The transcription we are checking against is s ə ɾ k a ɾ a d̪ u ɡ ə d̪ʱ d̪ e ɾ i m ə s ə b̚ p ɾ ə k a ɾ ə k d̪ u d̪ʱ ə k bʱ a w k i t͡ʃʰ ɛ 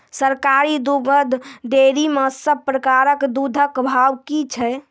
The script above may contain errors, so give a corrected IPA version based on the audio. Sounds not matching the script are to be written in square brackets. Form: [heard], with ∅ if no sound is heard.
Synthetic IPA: s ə ɾ k a ɾ [i] d̪ u ɡ ə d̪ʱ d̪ e ɾ i m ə s ə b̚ p ɾ ə k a ɾ ə k d̪ u d̪ʱ ə k bʱ a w k i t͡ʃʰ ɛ